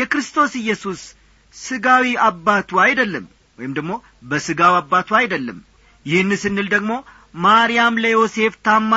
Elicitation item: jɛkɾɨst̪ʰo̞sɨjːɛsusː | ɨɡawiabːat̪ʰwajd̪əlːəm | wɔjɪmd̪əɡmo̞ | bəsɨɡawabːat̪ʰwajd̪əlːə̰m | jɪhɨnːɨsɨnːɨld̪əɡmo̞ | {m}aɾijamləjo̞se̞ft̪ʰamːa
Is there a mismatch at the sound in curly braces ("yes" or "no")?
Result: no